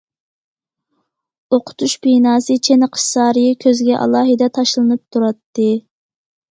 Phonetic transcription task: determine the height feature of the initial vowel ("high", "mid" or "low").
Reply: mid